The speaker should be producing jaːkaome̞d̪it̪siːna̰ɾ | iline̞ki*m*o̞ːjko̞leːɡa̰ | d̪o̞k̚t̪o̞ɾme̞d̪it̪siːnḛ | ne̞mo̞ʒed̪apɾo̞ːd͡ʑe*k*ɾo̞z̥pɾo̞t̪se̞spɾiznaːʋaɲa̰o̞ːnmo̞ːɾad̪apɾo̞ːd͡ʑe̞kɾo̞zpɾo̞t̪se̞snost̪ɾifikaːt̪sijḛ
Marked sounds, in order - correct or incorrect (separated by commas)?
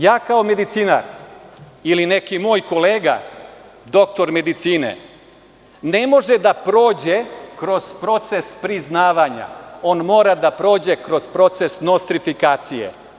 correct, correct